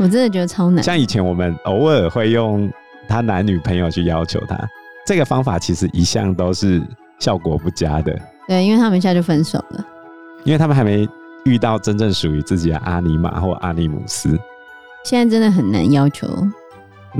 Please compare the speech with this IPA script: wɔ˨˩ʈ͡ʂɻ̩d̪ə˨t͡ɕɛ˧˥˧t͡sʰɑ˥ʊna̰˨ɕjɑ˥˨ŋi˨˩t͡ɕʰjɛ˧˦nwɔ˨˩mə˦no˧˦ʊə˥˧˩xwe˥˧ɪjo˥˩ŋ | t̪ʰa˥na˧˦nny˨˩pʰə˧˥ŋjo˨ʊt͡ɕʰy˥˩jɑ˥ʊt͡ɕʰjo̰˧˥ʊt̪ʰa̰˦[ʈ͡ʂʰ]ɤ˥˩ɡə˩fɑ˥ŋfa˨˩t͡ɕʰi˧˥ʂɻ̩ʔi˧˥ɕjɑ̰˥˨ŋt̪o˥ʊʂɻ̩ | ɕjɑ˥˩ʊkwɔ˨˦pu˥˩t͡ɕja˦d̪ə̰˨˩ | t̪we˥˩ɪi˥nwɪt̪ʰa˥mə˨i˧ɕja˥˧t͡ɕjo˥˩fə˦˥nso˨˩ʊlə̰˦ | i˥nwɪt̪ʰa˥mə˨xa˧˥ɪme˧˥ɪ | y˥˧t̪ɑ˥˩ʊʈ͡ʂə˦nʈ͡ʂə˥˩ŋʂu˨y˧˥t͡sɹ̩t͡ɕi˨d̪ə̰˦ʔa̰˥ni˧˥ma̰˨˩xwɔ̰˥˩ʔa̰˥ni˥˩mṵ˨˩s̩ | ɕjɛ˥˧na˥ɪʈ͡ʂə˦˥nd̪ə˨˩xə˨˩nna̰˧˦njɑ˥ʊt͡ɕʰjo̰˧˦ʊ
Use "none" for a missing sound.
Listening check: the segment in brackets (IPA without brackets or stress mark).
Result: ʈ͡ʂ